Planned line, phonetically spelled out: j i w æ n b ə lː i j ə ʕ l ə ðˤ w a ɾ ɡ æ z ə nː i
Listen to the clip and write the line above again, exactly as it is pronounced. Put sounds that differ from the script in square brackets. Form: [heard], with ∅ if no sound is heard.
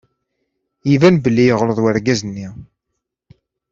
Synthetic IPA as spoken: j i [v] æ n b ə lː i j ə [ʁ] l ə ðˤ w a ɾ ɡ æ z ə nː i